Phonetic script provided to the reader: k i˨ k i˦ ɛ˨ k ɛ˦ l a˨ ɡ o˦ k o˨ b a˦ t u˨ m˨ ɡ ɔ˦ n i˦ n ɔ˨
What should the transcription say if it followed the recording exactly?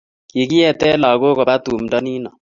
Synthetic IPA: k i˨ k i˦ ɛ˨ t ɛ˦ l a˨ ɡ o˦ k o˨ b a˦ t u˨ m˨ d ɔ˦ n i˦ n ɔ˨